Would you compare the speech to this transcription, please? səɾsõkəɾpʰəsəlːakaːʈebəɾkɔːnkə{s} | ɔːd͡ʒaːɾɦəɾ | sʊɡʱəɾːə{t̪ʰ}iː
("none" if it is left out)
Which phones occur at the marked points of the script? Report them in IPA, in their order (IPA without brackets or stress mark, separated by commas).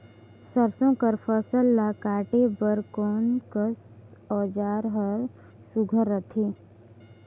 s, t̪ʰ